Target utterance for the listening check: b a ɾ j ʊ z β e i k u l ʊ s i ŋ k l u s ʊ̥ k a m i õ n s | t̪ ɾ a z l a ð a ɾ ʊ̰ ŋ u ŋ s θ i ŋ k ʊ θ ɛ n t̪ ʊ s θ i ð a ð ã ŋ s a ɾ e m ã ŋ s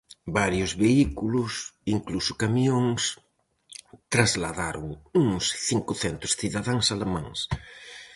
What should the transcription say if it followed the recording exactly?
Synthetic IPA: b a ɾ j ʊ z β e i k u l ʊ s i ŋ k l u s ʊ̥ k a m i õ ŋ s | t̪ ɾ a z l a ð a ɾ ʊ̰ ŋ u ŋ s θ i ŋ k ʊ θ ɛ n t̪ ʊ s θ i ð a ð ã ŋ s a l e m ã ŋ s